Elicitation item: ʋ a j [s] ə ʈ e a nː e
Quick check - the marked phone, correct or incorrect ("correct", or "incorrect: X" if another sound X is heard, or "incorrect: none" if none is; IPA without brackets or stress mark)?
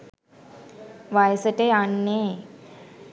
correct